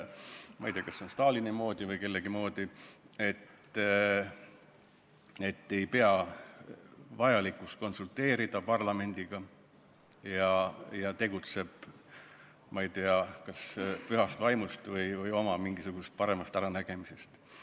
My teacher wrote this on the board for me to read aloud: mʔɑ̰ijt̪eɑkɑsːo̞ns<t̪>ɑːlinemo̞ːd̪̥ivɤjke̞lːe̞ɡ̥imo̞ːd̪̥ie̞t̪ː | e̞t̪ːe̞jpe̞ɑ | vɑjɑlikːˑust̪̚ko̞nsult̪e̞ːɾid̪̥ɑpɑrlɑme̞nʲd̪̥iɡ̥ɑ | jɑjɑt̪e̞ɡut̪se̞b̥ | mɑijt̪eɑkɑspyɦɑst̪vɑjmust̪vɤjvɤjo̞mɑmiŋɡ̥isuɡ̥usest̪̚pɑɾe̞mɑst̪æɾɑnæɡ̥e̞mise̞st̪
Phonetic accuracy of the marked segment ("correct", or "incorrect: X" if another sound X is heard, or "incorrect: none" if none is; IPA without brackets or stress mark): correct